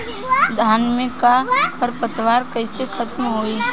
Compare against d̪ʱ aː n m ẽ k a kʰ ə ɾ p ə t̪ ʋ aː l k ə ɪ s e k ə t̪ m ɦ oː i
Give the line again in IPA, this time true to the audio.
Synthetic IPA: d̪ʱ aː n m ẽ k a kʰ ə ɾ p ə t̪ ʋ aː ɾ k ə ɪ s e kʰ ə t̪ m ɦ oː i